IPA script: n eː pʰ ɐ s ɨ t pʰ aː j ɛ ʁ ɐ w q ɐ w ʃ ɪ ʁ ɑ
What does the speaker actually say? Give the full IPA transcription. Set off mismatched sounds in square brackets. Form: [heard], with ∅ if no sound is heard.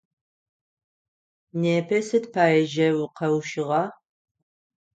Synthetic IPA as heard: n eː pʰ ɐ s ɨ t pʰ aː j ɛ [ʒ] ɐ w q ɐ w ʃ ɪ ʁ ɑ

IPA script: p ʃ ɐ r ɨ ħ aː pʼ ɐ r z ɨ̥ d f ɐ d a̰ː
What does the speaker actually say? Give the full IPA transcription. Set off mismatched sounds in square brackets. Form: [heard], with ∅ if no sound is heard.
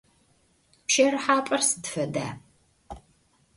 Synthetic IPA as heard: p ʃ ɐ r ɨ ħ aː pʼ ɐ r [s] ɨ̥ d f ɐ d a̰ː

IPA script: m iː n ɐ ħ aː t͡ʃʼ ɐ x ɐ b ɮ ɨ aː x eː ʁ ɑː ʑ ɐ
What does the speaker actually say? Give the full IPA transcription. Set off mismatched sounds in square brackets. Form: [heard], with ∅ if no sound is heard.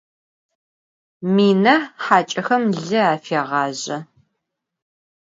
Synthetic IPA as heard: m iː n ɐ ħ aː t͡ʃʼ ɐ x ɐ [m] ɮ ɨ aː [f] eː ʁ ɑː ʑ ɐ

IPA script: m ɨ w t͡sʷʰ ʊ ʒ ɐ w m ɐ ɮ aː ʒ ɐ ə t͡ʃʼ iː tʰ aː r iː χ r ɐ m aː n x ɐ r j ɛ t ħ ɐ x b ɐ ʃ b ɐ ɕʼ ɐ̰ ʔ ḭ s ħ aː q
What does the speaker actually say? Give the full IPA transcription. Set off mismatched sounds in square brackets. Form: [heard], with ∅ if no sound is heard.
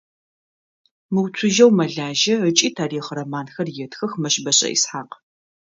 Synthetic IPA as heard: m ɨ w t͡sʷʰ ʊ ʒ ɐ w m ɐ ɮ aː ʒ ɐ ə t͡ʃʼ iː tʰ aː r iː χ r ɐ m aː n x ɐ r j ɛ t [x] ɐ x [m] ɐ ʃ b ɐ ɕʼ ɐ̰ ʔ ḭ s ħ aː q

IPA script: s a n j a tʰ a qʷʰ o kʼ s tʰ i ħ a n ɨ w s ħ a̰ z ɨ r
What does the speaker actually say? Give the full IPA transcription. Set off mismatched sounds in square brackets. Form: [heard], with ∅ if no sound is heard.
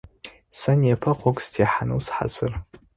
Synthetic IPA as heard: s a n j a [pʰ] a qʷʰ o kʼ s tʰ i ħ a n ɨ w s ħ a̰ z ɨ r

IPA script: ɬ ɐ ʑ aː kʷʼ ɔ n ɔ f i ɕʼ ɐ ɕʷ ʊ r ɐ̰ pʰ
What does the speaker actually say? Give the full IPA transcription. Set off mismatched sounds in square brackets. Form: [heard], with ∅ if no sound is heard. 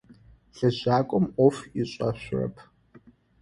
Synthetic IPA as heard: ɬ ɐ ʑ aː kʷʼ ɔ [m] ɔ f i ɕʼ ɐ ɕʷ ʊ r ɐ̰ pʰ

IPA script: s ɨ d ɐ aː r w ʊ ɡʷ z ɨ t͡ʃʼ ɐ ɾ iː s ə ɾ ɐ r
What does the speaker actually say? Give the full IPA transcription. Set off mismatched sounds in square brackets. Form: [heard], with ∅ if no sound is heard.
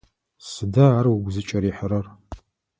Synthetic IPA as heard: s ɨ d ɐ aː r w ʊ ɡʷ z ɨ t͡ʃʼ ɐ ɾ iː [ħ] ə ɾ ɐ r

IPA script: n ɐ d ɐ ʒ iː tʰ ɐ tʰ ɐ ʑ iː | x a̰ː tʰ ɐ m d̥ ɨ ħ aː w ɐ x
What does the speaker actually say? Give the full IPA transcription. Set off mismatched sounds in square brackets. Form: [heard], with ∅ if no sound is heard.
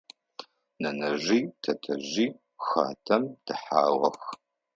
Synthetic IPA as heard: n ɐ [n] ɐ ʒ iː tʰ ɐ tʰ ɐ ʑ iː | x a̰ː tʰ ɐ m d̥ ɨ ħ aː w ɐ x

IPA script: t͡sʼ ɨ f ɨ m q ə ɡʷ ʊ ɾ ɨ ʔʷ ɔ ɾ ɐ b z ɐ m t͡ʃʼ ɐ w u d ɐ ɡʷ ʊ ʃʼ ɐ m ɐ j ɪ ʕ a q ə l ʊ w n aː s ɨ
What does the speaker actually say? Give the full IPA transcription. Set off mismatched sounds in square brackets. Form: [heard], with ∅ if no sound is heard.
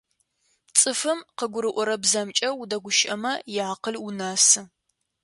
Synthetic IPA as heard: t͡sʼ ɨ f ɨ m q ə ɡʷ ʊ ɾ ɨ ʔʷ ɔ ɾ ɐ b z ɐ m t͡ʃʼ ɐ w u d ɐ ɡʷ ʊ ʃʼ ɐ m ɐ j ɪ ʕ a q ə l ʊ [∅] n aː s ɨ

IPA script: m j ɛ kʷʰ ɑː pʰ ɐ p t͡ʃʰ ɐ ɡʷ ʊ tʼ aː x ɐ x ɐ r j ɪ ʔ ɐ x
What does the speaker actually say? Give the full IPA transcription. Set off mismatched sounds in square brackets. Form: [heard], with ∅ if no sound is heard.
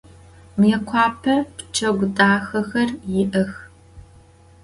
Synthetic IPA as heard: m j ɛ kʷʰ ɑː pʰ ɐ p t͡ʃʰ ɐ ɡʷ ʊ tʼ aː x ɐ x ɐ r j ɪ ʔ ɐ x

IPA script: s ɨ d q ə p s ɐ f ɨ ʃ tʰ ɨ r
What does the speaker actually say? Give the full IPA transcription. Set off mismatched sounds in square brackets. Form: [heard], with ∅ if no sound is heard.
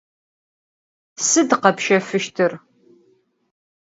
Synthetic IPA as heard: s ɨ d q [ɐ] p [ʃ] ɐ f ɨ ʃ tʰ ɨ r

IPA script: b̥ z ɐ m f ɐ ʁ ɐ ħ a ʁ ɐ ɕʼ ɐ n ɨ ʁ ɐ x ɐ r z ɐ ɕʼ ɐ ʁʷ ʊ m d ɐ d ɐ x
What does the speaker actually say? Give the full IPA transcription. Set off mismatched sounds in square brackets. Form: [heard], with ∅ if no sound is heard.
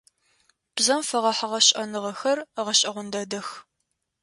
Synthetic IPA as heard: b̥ z ɐ m f ɐ ʁ ɐ ħ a ʁ ɐ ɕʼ ɐ n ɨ ʁ ɐ x ɐ r [ʁ] ɐ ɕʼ ɐ ʁʷ ʊ [n] d ɐ d ɐ x

